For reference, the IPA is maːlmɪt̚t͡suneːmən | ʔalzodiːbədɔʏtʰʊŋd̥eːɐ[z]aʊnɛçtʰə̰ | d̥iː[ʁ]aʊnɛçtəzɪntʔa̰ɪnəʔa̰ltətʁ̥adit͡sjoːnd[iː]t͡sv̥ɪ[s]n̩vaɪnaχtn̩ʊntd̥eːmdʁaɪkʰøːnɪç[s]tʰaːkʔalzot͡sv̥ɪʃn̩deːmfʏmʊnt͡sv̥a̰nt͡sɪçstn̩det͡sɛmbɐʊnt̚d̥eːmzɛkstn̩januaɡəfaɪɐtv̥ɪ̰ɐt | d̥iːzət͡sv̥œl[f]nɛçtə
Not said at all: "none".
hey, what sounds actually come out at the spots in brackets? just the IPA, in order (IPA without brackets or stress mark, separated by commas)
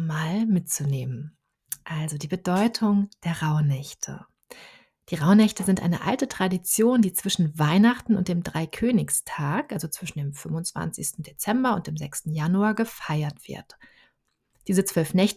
ʁ, ʁ, iː, ʃ, s, f